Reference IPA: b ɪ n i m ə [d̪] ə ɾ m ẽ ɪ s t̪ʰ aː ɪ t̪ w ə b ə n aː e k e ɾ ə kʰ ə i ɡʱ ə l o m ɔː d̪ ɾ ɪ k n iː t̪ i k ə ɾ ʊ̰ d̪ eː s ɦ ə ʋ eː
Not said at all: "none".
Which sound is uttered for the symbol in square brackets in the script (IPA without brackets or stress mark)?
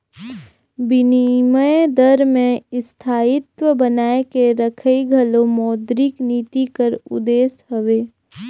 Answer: d̪